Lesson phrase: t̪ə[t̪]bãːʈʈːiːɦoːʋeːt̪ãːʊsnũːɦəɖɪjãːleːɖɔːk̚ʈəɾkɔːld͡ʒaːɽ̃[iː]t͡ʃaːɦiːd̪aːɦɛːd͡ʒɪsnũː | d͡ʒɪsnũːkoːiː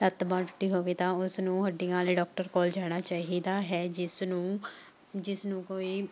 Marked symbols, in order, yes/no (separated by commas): yes, no